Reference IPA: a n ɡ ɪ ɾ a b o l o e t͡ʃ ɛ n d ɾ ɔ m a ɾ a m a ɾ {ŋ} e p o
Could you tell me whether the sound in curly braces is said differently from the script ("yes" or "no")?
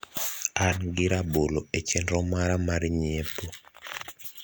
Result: yes